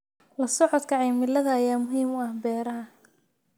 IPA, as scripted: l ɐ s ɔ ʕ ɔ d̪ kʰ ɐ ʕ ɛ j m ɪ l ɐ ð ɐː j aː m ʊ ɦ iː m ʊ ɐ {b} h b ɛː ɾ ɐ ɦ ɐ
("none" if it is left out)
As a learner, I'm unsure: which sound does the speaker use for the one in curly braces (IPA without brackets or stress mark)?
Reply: none